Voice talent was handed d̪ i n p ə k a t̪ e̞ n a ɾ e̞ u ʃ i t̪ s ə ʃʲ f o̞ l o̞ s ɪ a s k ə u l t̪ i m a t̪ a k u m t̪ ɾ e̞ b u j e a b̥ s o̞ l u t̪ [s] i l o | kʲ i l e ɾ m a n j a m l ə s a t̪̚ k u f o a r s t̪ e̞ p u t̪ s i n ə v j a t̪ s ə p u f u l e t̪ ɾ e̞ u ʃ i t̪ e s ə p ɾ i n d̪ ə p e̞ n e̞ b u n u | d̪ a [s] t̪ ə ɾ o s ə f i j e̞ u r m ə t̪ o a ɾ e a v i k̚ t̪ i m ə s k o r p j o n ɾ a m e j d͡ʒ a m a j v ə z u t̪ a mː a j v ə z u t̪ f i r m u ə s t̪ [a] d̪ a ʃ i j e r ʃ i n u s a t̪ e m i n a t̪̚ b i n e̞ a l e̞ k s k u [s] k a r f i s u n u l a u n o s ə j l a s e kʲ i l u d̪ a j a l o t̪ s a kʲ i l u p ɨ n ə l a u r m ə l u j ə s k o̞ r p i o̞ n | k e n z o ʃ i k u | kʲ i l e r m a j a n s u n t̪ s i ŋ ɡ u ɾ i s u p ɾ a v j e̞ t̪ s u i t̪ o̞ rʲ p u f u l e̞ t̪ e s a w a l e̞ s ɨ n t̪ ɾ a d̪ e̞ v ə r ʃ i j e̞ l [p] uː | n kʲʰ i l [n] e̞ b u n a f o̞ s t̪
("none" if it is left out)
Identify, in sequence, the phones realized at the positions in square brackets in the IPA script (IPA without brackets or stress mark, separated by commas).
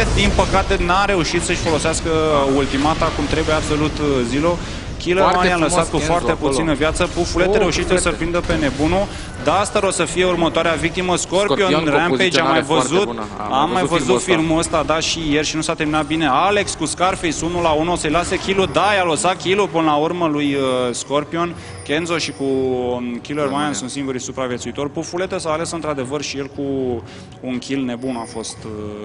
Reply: z, s, a, s, k, n